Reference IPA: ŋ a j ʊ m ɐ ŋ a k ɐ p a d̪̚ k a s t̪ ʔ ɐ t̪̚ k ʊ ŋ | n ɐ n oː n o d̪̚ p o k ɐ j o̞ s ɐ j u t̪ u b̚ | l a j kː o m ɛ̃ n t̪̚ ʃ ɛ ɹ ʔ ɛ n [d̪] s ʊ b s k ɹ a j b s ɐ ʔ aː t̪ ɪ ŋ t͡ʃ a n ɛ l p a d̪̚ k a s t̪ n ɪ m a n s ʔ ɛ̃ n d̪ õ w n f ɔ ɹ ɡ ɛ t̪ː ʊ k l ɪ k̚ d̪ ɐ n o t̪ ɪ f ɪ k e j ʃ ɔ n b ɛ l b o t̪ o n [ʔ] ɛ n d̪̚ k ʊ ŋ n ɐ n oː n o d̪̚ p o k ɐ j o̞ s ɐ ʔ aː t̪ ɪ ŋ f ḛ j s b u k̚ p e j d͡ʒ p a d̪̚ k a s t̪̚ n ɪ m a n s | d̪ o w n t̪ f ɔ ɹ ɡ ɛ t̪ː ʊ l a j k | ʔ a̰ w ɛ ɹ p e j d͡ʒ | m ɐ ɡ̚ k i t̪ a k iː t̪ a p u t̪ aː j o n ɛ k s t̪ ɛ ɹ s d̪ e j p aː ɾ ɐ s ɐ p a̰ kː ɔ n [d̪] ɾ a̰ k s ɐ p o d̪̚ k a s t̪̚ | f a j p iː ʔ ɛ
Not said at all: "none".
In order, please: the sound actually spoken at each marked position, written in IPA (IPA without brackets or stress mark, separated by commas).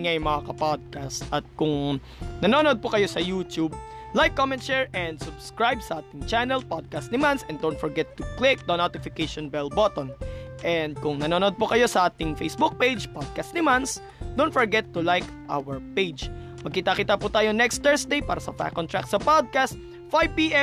d̪, ʔ, t̪